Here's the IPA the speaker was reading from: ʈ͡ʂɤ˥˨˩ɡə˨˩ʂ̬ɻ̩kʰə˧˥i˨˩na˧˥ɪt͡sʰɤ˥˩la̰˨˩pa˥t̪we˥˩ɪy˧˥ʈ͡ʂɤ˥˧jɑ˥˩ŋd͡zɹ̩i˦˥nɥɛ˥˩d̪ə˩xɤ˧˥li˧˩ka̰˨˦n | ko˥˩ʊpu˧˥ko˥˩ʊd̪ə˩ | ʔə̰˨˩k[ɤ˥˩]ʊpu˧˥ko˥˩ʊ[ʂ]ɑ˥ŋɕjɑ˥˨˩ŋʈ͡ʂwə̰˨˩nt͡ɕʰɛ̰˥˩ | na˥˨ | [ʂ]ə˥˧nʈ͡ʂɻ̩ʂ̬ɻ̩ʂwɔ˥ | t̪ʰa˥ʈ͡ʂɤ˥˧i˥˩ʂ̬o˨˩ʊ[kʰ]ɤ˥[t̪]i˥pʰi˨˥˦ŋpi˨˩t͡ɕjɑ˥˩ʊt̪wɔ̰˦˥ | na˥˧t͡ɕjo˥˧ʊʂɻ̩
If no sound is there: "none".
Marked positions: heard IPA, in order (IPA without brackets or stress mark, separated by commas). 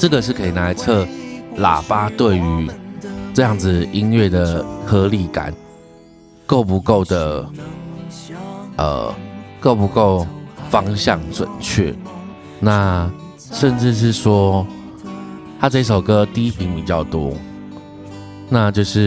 o˥˩, f, ʂ, k, t̪